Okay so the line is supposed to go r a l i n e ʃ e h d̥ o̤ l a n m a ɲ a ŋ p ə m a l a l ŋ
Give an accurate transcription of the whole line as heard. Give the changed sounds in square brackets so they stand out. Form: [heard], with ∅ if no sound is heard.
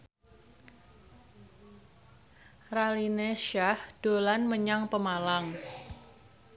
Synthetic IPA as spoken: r a l i n e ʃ [a] h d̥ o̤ l a n m [ə] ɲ a ŋ p ə m a l a [∅] ŋ